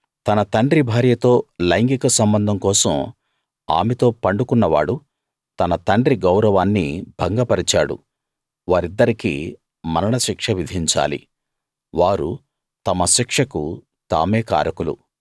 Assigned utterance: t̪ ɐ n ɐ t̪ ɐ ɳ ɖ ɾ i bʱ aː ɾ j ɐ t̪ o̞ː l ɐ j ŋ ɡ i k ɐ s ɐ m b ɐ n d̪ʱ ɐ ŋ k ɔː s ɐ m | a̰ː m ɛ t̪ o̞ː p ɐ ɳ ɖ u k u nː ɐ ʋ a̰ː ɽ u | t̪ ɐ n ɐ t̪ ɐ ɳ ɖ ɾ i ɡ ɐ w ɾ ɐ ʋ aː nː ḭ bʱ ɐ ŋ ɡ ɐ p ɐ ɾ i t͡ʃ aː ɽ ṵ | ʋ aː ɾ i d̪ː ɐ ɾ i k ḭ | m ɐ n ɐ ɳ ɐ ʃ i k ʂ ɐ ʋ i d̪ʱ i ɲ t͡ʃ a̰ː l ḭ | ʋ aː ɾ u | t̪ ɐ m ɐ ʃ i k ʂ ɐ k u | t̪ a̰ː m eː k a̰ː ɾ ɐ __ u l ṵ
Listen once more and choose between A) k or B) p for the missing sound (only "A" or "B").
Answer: A